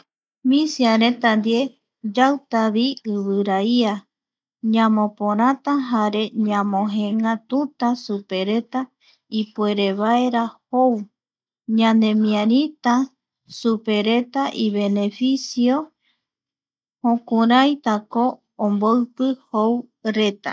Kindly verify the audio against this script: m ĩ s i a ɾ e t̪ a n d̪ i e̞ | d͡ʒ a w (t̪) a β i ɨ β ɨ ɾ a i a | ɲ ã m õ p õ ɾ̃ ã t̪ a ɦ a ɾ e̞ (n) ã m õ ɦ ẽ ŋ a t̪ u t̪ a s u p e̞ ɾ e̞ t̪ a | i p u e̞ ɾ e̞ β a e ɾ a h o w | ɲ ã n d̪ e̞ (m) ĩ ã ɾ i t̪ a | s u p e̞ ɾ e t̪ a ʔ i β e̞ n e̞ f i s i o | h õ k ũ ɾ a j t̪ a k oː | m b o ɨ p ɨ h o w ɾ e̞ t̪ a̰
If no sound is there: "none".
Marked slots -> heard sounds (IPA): t̪, ɲ, m

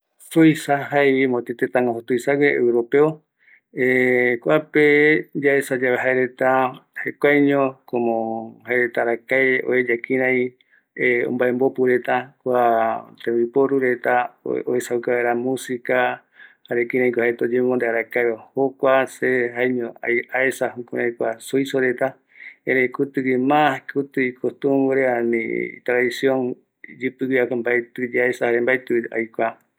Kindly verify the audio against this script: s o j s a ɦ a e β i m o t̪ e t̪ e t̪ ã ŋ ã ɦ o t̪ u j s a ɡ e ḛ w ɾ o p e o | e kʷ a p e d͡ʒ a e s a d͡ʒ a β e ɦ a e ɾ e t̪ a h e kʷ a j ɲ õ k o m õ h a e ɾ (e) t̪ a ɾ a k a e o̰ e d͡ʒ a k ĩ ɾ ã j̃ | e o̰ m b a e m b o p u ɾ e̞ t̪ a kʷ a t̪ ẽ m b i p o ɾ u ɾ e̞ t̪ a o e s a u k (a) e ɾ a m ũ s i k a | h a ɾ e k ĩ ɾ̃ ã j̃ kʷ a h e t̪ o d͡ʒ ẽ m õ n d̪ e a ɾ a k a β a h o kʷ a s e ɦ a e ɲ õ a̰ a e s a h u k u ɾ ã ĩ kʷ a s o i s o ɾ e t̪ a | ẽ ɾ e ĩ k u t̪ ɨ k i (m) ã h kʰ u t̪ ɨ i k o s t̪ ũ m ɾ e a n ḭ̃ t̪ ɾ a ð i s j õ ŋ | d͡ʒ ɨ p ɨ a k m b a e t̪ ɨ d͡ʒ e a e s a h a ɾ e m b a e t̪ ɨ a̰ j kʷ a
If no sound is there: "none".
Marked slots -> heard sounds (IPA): e, a, m

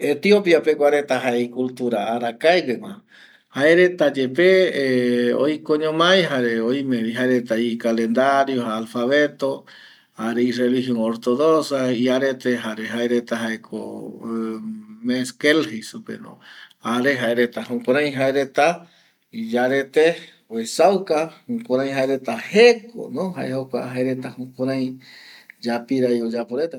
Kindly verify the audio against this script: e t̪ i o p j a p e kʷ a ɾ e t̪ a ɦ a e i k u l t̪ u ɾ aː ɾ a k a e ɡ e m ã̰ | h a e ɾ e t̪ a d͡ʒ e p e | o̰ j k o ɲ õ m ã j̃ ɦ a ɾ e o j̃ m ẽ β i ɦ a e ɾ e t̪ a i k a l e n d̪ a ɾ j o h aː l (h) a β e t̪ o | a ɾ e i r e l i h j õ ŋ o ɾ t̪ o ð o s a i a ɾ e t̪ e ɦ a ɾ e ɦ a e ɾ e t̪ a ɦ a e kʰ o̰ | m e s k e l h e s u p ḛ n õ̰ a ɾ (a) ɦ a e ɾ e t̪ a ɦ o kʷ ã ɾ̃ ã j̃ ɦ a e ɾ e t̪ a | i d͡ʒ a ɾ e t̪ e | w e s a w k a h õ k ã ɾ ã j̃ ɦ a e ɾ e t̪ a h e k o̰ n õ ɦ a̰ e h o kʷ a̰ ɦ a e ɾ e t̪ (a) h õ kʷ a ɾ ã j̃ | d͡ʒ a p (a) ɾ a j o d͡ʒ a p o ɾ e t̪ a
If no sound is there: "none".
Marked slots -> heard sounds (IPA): f, e, a, i

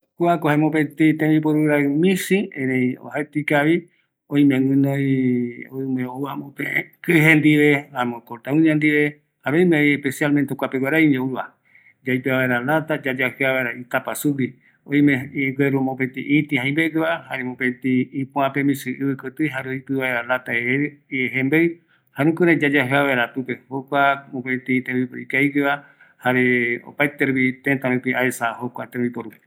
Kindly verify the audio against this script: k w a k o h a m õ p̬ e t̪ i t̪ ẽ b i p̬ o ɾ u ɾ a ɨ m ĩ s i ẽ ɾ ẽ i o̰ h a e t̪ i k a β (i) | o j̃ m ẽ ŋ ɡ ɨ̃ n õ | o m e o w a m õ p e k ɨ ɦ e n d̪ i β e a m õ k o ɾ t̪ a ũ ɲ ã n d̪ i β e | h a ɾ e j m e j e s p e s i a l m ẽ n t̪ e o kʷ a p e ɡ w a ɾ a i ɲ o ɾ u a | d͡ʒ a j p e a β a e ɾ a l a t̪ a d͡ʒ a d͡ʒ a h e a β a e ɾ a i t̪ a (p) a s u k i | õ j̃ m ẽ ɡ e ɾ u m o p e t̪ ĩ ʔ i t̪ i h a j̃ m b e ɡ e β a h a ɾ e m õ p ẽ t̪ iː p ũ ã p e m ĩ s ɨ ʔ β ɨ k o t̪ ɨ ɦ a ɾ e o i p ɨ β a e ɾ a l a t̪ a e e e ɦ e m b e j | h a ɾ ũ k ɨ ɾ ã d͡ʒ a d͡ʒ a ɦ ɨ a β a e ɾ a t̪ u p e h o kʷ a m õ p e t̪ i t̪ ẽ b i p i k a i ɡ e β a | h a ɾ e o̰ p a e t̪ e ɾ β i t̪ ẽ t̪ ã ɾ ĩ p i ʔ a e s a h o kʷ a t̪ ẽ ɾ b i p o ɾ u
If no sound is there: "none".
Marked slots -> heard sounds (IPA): i, p

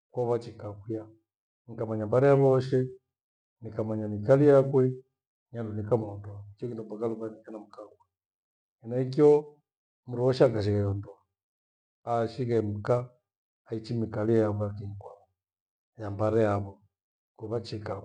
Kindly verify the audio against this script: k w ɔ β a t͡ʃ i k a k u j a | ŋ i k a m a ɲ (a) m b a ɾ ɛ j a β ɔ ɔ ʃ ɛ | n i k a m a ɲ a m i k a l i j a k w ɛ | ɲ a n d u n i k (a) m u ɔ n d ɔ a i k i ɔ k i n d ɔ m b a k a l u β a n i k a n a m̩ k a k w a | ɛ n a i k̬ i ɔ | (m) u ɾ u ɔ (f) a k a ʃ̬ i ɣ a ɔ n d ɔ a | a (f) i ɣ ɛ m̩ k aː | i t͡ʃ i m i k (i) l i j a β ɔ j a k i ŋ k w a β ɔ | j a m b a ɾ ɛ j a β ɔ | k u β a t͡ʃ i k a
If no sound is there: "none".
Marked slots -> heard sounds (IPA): a, a, m, ʃ, ʃ, a

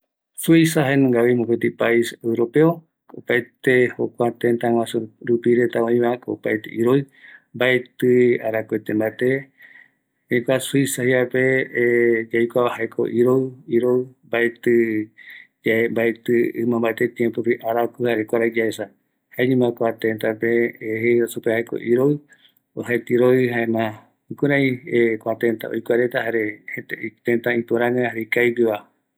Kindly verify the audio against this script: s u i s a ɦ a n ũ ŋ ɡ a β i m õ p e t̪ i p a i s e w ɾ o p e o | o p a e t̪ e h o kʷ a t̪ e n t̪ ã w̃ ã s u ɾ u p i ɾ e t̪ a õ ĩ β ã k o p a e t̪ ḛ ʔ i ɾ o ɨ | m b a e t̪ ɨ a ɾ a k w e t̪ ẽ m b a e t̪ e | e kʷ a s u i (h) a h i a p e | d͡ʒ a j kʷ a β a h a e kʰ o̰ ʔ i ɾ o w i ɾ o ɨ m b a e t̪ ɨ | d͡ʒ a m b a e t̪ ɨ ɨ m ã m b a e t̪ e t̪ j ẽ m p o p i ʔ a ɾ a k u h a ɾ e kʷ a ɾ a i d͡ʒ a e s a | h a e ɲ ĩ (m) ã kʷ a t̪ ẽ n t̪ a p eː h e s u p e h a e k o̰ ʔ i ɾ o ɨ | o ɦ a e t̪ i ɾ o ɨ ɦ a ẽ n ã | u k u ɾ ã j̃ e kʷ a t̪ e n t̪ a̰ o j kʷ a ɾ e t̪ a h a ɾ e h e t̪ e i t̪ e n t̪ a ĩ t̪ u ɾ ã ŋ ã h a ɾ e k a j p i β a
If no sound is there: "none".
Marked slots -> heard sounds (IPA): s, m

